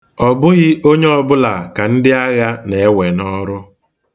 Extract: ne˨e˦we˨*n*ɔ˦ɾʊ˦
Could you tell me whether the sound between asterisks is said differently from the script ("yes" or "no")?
no